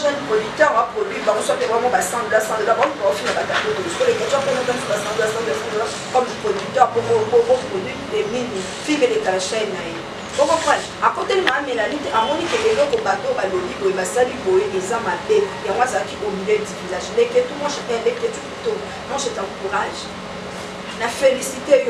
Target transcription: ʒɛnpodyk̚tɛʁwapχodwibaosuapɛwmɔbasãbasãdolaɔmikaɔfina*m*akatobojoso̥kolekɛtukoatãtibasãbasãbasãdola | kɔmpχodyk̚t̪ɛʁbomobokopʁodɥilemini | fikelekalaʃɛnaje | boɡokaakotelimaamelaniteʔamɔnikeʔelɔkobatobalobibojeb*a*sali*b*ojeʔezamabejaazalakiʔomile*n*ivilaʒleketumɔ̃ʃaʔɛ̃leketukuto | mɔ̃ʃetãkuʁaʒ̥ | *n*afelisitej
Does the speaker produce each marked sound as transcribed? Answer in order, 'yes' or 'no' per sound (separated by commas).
no, yes, yes, no, yes